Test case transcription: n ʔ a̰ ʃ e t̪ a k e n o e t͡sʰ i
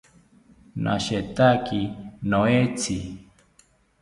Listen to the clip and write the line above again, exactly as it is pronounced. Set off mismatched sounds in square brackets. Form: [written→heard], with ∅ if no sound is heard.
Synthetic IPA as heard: n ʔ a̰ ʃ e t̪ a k [e→i] n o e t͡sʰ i